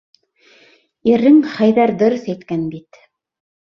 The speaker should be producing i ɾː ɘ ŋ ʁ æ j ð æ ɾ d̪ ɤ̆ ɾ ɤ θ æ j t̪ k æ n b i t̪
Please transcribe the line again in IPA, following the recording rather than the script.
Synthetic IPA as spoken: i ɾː ɘ ŋ χ æ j ð æ ɾ d̪ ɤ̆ ɾ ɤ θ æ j t̪ k æ n b i t̪